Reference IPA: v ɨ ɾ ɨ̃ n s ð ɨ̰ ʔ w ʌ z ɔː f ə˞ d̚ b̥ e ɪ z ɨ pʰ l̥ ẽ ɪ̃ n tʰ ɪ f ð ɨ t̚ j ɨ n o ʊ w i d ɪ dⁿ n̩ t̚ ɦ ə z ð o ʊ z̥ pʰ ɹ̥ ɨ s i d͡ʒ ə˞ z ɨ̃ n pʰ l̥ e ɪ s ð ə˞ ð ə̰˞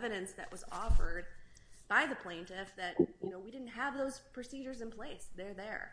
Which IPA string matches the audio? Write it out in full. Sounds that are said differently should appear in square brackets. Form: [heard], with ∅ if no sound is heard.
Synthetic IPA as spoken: v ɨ ɾ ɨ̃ n s ð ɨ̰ ʔ w ʌ z [ɔ] f ə˞ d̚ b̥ [a] ɪ [ð] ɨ pʰ l̥ ẽ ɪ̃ n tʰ ɪ f ð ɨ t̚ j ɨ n o ʊ w i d ɪ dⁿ n̩ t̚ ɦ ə [v] ð o ʊ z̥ pʰ ɹ̥ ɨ s i d͡ʒ ə˞ z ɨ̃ n pʰ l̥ e ɪ s ð ə˞ ð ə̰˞